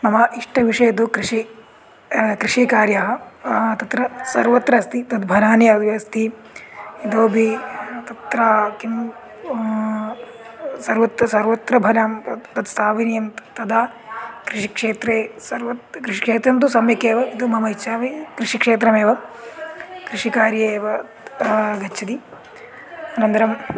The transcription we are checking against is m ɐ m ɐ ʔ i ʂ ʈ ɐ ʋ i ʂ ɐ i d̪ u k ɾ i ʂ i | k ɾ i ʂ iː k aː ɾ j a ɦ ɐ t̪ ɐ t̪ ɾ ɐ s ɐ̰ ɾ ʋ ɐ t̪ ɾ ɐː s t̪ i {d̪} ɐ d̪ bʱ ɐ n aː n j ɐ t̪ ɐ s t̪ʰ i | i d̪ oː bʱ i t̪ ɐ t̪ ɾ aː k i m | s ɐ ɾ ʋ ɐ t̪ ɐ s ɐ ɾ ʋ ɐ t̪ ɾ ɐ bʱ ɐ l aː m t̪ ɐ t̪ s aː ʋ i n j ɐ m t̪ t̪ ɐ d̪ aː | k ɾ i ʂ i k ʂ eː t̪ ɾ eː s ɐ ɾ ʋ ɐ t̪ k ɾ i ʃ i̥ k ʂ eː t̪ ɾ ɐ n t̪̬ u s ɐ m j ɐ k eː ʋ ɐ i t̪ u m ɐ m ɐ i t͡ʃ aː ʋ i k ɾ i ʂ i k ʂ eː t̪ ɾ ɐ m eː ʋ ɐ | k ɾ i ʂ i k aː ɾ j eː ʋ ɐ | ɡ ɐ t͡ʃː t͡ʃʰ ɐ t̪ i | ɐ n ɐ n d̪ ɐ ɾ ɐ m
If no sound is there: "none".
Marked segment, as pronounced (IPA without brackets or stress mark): t̪